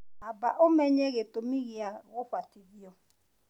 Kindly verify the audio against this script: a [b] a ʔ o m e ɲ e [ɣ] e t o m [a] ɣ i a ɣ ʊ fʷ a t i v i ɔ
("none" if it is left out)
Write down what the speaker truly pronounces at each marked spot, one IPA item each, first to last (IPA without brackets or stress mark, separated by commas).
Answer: b, ɣ, i